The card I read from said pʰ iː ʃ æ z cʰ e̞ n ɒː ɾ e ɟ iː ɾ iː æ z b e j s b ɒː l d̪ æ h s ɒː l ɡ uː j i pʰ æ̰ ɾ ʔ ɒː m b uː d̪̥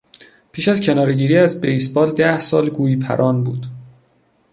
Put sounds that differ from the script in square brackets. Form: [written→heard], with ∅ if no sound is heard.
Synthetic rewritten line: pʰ iː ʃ æ z cʰ e̞ n ɒː ɾ e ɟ iː ɾ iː æ z b e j s b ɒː l d̪ æ h s ɒː l ɡ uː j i pʰ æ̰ ɾ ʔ ɒː [m→n] b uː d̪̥